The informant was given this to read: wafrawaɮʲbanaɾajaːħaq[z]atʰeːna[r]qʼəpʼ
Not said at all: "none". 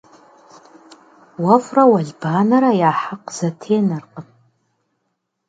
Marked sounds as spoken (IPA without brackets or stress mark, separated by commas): z, r